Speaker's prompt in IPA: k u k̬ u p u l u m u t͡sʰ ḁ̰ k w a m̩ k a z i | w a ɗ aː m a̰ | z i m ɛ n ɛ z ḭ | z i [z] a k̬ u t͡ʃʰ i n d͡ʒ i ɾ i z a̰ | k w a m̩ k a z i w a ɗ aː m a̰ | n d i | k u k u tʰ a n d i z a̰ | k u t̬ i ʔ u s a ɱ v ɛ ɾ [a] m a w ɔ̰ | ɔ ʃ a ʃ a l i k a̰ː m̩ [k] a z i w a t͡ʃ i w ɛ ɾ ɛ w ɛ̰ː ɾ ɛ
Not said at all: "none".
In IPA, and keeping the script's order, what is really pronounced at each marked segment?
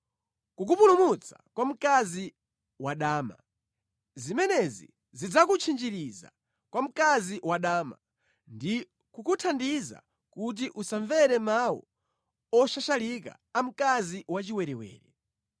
d͡z, ɛ, k

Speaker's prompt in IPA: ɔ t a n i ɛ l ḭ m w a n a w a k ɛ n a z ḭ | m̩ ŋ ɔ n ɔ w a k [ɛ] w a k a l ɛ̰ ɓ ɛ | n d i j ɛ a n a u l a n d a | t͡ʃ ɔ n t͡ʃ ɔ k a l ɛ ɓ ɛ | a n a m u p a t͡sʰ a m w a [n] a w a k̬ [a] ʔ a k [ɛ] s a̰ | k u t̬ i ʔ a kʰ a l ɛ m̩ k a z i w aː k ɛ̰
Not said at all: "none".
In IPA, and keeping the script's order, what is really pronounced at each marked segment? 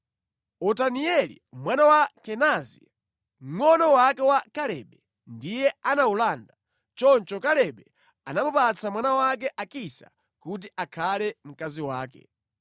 ɛ, n, ɛ, i

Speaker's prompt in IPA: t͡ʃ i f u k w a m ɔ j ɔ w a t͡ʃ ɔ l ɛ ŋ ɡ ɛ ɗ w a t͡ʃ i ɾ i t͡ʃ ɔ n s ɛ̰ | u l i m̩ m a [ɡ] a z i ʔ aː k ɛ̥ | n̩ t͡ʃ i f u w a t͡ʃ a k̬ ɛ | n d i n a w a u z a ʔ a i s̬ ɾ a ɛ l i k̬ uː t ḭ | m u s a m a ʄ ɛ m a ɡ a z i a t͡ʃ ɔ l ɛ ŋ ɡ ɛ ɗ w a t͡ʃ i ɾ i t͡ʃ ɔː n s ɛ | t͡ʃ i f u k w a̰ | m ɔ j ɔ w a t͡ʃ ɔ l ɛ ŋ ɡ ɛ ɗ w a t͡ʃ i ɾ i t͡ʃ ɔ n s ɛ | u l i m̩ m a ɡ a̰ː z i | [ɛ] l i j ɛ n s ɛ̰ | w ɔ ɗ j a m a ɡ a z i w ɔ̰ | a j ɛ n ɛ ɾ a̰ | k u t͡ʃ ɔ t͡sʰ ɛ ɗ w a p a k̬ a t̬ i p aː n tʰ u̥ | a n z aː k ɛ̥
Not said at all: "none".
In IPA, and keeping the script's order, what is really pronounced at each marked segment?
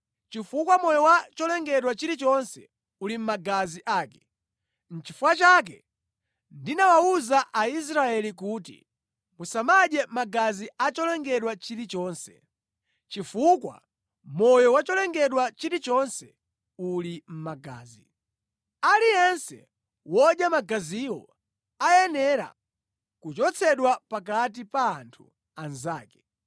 ɡ, a

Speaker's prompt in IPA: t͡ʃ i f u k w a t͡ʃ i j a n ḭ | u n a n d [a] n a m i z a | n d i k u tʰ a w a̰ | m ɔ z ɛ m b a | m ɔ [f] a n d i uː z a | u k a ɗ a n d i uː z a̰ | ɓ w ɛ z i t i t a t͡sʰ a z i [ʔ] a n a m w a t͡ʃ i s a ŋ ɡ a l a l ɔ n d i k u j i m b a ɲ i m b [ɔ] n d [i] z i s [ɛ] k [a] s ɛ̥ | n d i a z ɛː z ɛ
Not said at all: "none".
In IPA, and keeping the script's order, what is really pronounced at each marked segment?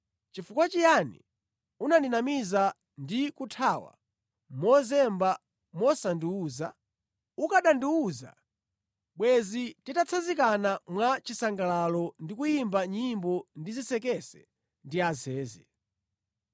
i, s, k, ɔ, i, ɛ, ɛ

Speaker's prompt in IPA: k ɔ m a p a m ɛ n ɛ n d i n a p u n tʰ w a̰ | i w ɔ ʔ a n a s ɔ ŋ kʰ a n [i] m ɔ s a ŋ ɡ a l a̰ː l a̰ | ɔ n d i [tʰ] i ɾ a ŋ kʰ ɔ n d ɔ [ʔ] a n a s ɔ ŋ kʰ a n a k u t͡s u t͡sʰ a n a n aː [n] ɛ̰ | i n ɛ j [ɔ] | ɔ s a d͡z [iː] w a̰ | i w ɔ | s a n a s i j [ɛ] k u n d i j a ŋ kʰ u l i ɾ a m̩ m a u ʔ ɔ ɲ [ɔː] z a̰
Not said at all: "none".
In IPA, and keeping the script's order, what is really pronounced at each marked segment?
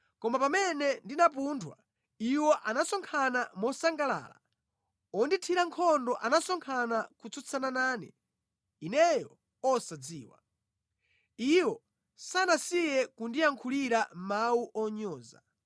a, tʰ, ʔ, n, ɔ, iː, ɛ, ɔː

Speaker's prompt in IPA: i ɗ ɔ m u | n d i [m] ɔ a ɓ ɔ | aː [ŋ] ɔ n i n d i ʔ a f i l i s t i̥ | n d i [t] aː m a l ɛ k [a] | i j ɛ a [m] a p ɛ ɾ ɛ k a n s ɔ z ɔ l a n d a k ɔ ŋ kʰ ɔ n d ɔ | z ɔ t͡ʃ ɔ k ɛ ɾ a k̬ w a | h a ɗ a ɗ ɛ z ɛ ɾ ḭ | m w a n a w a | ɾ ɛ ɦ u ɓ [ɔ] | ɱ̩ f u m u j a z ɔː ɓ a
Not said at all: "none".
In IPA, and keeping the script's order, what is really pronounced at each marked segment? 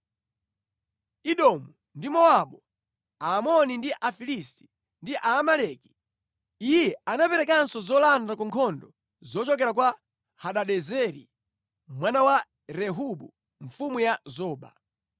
m, m, ʔ, i, n, u

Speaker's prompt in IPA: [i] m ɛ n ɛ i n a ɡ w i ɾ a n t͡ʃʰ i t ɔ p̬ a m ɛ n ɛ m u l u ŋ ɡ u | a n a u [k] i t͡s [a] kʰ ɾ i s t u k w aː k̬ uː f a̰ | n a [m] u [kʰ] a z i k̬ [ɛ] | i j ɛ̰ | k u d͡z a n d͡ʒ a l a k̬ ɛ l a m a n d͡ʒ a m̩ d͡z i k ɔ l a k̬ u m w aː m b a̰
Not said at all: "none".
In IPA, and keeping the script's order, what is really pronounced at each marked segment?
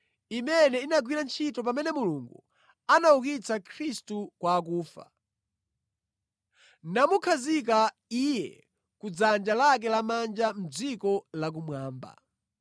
i, k, a, m, kʰ, a

